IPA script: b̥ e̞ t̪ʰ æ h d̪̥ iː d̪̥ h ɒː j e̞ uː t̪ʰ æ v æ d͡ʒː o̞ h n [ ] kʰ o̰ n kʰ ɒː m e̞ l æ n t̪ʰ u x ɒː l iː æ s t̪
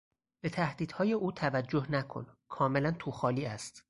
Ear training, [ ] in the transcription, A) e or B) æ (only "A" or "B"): B